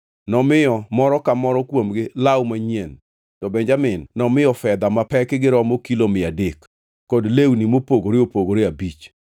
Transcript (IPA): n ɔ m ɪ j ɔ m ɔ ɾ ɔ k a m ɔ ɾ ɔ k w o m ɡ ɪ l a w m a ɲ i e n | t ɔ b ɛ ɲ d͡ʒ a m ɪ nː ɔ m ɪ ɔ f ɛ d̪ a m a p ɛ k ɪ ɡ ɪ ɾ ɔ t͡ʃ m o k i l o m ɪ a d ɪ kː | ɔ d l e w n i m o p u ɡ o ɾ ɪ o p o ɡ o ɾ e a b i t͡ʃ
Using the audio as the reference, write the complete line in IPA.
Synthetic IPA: n ɔ m ɪ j ɔ m ɔ ɾ ɔ k a m ɔ ɾ ɔ k w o m ɡ ɪ l a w m a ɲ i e n | t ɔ b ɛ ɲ d͡ʒ a m ɪ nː ɔ m ɪ ɔ f ɛ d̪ a m a p ɛ k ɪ ɡ ɪ ɾ ɔ m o k i l o m ɪ a d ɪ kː | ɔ d l e w n i m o p o ɡ o ɾ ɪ o p o ɡ o ɾ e a b i t͡ʃ

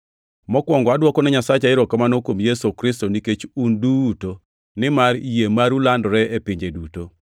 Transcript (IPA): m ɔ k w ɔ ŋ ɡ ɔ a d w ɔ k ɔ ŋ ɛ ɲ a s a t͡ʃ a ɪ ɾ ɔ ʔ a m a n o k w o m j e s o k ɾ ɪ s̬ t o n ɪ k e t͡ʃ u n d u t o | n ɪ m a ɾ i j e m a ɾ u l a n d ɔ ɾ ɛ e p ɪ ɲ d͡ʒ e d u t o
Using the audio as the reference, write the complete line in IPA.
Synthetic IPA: m ɔ k w ɔ ŋ ɡ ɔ a d w ɔ k ɔ n ɛ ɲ a s a t͡ʃ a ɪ ɾ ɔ k a m a n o k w o m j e s o k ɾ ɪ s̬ t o n i k e t͡ʃ u n d u t o | n ɪ m a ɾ i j e m a ɾ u l a n d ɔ ɾ ɛ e p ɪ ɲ d͡ʒ e d u t o

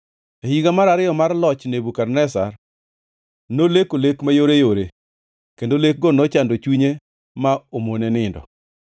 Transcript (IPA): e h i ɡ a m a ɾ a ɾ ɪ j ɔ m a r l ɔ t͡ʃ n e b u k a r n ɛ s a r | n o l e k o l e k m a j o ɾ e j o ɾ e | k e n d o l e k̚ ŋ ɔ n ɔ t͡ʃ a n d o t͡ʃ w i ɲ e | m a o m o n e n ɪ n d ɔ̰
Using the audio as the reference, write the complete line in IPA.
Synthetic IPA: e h i ɡ a m a ɾ a ɾ ɪ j ɔ m a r l ɔ t͡ʃ n e b u k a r n ɛ s a r | n o l e k o l e k m a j o ɾ e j o ɾ e | k e n d o l e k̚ ɡ ɔ n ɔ t͡ʃ a n d o t͡ʃ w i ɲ e | m a o m o n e n ɪ n d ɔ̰

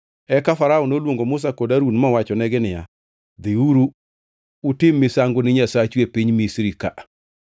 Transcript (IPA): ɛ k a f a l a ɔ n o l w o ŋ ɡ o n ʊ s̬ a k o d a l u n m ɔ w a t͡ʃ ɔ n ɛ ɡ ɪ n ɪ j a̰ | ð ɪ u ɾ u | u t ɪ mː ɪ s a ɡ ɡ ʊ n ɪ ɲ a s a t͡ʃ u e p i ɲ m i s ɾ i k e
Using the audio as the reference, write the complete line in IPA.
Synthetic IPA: ɛ k a f a ɾ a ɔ n o l w o ŋ ɡ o m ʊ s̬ a k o d a ɾ u n m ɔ w a t͡ʃ ɔ n ɛ ɡ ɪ n ɪ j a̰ | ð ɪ u ɾ u | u t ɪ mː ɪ s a ŋ ɡ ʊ n ɪ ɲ a s a t͡ʃ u e p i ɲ m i s ɾ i k a

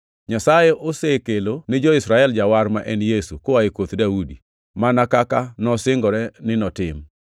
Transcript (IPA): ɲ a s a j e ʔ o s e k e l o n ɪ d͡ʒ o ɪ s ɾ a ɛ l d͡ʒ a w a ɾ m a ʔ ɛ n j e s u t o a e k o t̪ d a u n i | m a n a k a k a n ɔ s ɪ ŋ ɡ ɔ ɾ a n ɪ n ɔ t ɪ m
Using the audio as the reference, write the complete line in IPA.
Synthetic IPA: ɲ a s a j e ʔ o s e k e l o n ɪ d͡ʒ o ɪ s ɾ a ɛ l d͡ʒ a w a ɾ m a ʔ ɛ n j e s u k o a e k o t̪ d a u d i | m a n a k a k a n ɔ s ɪ ŋ ɡ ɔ ɾ ɛ n ɪ n ɔ t ɪ m

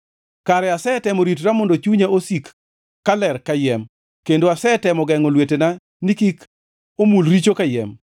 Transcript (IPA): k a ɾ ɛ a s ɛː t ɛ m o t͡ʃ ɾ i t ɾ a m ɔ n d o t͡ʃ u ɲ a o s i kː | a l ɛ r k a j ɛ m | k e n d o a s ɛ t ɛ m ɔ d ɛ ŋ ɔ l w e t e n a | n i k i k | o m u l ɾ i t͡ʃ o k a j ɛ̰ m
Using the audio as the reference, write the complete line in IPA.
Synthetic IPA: k a ɾ ɛ a s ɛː t ɛ m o ɾ i t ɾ a m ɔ n d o t͡ʃ u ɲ a o s i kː | a l ɛ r k a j ɛ m | k e n d o a s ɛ t ɛ m ɔ ɡ ɛ ŋ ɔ l w e t e n a | n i k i k | o m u l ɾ i t͡ʃ o k a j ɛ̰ m

